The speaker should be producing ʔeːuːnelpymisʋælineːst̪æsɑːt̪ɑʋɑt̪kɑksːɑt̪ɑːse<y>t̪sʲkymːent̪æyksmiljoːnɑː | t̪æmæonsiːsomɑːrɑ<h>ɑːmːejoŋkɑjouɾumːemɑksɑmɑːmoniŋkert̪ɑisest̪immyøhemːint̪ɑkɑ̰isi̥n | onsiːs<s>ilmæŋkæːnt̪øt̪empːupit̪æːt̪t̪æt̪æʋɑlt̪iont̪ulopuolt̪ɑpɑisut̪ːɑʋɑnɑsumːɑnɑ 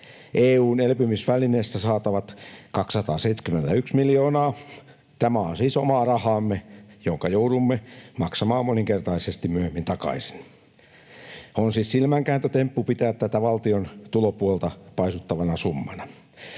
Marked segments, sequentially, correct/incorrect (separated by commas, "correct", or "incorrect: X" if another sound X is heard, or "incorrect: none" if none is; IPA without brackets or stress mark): incorrect: i, correct, correct